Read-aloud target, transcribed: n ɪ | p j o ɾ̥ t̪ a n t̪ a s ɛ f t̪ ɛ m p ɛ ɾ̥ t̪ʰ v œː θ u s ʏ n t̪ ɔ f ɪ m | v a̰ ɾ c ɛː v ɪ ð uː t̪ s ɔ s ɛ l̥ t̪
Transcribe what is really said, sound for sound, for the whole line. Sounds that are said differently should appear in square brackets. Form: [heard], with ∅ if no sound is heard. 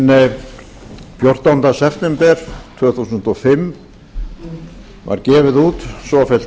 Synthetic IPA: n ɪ | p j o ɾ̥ t̪ a n t̪ a s ɛ f t̪ ɛ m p ɛ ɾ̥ t̪ʰ v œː θ u s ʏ n t̪ ɔ f ɪ m | v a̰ ɾ c ɛː v ɪ ð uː t̪ s ɔ [f] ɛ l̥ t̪